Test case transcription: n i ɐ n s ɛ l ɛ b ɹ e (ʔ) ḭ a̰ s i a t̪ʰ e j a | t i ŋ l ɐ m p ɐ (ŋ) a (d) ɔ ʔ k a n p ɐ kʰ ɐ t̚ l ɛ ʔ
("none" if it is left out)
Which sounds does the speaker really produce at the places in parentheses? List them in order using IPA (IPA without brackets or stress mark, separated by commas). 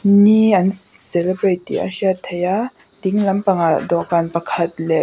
t, ŋ, d